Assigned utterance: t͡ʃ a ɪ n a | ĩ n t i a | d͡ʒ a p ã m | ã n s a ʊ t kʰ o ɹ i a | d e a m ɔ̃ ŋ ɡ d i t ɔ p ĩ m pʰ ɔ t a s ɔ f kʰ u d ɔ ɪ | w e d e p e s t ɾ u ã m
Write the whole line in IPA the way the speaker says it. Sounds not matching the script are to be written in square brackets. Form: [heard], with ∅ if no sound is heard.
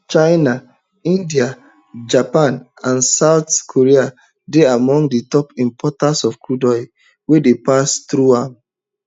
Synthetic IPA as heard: t͡ʃ a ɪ n a | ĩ n [d] i a | d͡ʒ a p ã [n] | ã n s a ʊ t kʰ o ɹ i a | d e a m ɔ̃ ŋ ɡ d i t ɔ p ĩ m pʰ ɔ t a s ɔ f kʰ u d ɔ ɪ | w e d e p [a] s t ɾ u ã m